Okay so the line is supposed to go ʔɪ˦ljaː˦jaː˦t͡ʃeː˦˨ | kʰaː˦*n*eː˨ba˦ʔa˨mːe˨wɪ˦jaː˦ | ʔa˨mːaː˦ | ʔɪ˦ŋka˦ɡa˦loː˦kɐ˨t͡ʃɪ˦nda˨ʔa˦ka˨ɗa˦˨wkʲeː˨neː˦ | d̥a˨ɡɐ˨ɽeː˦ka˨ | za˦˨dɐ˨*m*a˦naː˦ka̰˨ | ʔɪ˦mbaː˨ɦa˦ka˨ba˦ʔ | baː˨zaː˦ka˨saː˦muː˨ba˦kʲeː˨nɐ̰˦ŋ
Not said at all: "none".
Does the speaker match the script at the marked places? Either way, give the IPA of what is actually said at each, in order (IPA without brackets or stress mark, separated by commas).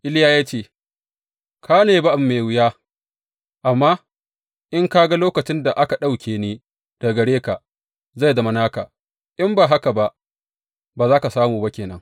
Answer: n, m